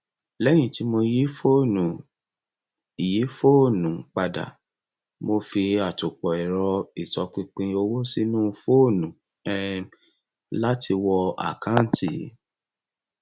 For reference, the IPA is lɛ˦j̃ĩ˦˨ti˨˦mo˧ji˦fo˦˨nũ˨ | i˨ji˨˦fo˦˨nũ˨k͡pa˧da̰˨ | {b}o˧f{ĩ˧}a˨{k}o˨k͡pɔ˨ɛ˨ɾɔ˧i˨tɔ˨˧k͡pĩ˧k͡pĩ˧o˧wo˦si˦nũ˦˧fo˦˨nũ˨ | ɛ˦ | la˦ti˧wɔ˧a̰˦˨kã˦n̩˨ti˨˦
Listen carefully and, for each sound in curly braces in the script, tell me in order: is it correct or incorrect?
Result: incorrect: m, incorrect: i˧, incorrect: t

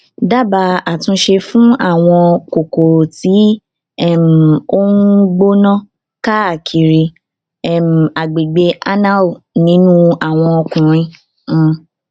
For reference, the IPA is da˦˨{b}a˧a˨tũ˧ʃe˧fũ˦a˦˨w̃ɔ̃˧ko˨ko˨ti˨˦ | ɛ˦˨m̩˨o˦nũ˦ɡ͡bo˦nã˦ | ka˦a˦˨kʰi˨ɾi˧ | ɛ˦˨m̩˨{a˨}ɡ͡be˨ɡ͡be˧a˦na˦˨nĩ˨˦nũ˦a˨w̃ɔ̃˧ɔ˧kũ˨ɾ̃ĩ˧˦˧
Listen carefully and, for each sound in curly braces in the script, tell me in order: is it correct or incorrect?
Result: correct, correct

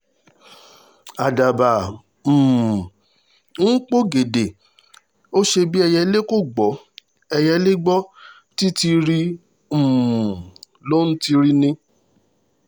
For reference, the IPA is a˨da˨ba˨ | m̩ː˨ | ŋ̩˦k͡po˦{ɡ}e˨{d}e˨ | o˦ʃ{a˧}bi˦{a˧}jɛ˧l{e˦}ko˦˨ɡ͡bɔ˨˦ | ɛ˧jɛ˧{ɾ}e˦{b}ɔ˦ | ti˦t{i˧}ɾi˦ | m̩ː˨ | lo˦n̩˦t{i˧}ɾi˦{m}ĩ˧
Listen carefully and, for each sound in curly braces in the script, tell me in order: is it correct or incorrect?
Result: correct, correct, incorrect: e˧, incorrect: ɛ˧, correct, incorrect: l, incorrect: ɡ͡b, correct, correct, incorrect: n

